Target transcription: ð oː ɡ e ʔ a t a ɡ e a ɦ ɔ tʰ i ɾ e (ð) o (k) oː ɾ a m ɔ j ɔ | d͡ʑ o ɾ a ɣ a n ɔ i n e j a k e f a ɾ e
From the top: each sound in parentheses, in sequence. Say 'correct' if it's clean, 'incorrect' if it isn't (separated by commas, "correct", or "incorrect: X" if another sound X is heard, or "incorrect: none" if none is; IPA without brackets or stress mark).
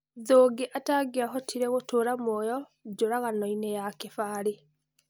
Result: incorrect: ɣ, incorrect: t